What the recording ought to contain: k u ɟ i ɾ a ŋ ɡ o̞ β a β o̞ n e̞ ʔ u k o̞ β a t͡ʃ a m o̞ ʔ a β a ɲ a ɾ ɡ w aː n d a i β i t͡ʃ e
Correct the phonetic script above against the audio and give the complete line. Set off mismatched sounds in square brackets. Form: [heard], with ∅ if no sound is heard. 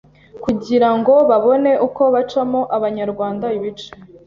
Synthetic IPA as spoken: k u ɟ i ɾ a ŋ ɡ o̞ β a β o̞ n e̞ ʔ u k o̞ β a t͡ʃ a m o̞ ʔ a β a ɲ a ɾ ɡ w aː n d a i β i t͡ʃ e

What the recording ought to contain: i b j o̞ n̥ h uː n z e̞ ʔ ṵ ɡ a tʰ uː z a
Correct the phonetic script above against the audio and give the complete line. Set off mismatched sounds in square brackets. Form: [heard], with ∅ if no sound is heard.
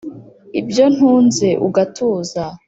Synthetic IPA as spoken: i b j o̞ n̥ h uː n z e̞ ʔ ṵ ɡ a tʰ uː z a

